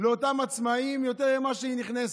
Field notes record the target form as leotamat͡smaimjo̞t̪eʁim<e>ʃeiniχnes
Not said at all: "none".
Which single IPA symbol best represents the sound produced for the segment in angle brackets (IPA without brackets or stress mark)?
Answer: a